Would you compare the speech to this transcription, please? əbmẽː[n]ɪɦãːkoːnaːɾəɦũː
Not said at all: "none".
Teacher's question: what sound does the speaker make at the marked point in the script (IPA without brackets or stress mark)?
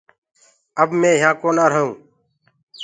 none